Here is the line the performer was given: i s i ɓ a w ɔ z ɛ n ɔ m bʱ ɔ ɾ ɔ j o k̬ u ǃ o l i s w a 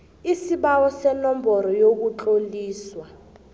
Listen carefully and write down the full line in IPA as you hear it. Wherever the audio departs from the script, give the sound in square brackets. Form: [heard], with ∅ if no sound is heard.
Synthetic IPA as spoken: i s i ɓ a w ɔ [s] ɛ n ɔ m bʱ ɔ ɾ ɔ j o k̬ u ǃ o l [iː] s w a